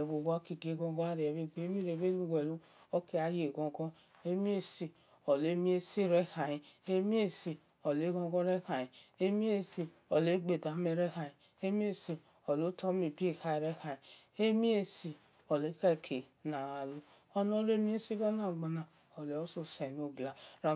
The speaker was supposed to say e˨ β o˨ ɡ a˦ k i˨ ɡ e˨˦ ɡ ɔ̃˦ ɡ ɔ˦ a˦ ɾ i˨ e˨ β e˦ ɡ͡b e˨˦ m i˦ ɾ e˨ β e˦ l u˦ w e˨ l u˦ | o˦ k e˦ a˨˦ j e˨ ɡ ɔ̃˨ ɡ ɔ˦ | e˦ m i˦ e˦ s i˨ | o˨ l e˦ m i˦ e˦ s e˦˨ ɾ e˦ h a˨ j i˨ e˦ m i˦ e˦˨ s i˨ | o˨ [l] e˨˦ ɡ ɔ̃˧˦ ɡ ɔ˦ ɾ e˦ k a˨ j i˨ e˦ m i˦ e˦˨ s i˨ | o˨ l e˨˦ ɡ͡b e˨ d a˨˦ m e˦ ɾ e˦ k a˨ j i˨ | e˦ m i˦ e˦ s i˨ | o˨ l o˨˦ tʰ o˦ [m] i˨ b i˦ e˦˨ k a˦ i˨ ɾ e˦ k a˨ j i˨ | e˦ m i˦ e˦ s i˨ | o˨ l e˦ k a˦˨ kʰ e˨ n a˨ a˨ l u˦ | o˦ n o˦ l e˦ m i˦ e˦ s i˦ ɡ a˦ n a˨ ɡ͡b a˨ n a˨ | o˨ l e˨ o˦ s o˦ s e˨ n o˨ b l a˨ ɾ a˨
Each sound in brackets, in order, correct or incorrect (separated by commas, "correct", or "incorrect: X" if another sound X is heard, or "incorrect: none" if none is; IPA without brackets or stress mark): correct, correct